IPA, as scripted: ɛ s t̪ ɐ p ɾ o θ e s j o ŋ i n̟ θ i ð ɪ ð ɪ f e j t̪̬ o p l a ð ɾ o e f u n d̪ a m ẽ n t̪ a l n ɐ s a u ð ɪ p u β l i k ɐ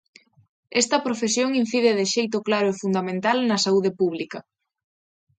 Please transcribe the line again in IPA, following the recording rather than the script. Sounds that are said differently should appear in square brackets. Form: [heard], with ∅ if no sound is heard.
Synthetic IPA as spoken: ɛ s t̪ ɐ p ɾ o [f] e s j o ŋ i n̟ θ i ð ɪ ð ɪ [ʃ] e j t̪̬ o [k] l a [∅] ɾ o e f u n d̪ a m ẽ n t̪ a l n ɐ s a u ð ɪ p u β l i k ɐ